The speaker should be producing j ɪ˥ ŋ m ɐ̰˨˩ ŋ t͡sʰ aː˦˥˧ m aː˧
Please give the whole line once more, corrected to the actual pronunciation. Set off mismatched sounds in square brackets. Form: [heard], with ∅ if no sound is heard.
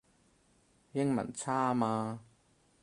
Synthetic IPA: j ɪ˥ ŋ m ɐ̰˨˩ [n] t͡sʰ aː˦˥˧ m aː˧